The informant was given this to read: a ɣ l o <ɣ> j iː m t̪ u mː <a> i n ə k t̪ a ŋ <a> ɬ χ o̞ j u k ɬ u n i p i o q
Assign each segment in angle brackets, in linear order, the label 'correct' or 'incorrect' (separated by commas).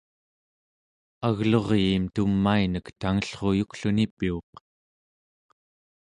incorrect, correct, incorrect